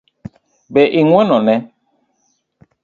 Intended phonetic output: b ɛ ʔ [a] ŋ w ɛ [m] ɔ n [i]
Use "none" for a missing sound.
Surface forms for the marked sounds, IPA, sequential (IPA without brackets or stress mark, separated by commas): i, n, ɛ